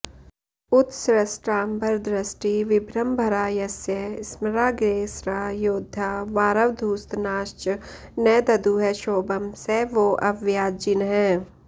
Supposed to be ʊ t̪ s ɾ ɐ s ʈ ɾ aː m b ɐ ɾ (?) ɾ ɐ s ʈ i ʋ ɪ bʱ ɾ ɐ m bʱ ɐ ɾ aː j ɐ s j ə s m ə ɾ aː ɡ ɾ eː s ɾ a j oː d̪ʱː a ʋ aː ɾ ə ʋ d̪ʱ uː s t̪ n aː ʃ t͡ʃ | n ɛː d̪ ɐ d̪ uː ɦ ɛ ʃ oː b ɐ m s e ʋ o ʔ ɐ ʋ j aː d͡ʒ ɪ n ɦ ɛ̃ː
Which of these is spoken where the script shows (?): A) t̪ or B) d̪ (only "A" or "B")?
B